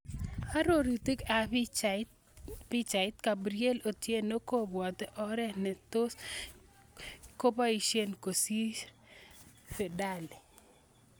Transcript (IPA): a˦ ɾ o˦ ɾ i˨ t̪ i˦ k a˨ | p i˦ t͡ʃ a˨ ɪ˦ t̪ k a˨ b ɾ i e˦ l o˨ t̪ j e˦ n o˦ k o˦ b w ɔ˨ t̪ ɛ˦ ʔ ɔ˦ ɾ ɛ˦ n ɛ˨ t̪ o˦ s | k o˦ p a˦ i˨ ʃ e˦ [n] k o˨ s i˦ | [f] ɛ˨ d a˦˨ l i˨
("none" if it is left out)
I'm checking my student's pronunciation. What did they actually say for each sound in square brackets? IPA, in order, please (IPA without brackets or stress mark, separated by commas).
n, f